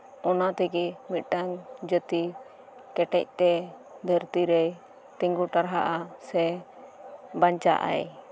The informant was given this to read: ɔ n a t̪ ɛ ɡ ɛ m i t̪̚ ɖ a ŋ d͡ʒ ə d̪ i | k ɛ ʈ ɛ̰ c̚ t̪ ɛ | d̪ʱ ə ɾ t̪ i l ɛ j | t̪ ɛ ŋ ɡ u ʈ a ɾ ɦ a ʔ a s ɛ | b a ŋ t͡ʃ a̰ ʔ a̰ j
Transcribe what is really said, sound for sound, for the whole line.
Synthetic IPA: ɔ n a t̪ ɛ ɡ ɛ m i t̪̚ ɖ a ŋ d͡ʒ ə t̪ i | k ɛ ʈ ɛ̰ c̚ t̪ ɛ | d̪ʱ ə ɾ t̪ i ɾ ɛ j | t̪ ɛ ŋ ɡ u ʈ a ɾ ɦ a ʔ a s ɛ | b a ɲ t͡ʃ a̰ ʔ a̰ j